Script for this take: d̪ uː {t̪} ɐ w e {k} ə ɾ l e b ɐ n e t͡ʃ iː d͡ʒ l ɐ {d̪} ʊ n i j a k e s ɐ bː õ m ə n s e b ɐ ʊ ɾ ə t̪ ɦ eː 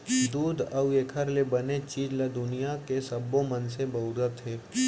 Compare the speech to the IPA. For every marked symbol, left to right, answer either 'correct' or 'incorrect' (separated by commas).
incorrect, incorrect, correct